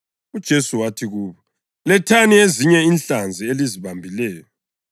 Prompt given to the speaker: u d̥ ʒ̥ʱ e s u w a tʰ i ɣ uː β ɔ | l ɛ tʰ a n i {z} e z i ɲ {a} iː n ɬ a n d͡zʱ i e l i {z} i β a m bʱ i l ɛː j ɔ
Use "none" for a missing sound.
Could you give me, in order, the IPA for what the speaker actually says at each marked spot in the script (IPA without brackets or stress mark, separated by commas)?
none, ɛ, z